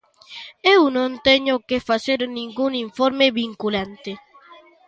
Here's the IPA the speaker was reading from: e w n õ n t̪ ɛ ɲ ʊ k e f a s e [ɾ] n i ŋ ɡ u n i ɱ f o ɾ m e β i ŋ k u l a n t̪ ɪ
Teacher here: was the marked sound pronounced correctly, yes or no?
yes